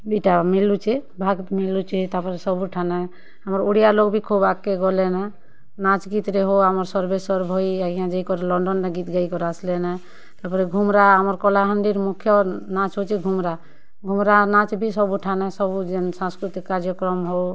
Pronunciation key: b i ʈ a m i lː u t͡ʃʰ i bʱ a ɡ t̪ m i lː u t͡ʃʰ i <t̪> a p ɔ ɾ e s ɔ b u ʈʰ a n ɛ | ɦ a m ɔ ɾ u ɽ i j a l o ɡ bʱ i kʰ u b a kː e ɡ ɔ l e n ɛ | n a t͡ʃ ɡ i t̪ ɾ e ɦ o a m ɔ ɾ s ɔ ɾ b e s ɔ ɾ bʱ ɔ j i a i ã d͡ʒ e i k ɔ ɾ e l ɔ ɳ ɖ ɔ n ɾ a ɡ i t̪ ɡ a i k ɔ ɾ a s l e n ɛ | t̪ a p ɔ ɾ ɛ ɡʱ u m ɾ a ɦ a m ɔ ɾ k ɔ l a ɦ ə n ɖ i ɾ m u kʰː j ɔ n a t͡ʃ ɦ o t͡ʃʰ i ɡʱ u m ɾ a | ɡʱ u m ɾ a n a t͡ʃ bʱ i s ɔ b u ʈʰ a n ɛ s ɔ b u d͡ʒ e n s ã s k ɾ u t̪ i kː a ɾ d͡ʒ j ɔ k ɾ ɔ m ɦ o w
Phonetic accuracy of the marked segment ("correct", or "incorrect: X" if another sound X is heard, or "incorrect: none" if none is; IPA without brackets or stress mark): correct